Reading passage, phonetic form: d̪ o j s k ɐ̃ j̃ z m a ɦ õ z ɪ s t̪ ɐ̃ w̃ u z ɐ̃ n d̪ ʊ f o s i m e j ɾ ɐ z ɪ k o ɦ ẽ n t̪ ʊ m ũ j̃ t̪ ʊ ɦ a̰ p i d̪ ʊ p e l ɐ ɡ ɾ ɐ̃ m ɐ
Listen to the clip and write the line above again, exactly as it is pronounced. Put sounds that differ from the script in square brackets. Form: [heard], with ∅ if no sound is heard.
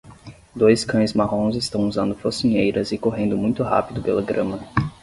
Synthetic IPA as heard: d̪ o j s k ɐ̃ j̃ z m a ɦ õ z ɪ s t̪ ɐ̃ w̃ u z ɐ̃ n d̪ ʊ f o s i [ɲ] e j ɾ ɐ z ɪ k o ɦ ẽ n [d̪] ʊ m ũ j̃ t̪ ʊ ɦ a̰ p i d̪ ʊ p e l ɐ ɡ ɾ ɐ̃ m ɐ